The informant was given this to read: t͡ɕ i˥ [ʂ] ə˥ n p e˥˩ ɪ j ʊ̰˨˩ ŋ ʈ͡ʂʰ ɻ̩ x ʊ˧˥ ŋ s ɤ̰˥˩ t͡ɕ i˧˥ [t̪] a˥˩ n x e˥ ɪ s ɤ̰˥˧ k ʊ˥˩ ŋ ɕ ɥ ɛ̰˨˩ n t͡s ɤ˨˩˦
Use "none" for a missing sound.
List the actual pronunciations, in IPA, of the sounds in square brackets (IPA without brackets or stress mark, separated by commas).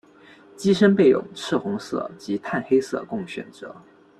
ʂ, t̪ʰ